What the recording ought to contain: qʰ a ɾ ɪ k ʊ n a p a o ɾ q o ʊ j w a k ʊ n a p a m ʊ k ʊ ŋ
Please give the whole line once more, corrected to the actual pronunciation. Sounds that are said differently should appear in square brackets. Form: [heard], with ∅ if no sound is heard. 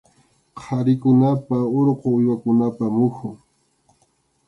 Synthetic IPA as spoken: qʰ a ɾ ɪ k ʊ n a p a o ɾ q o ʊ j w a k ʊ n a p a m ʊ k ʊ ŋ